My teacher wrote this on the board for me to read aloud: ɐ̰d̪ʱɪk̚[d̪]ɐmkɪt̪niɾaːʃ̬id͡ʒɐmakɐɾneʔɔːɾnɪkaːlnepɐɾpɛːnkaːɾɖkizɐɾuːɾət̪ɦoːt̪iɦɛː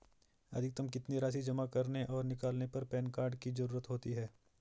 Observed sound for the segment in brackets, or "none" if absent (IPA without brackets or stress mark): t̪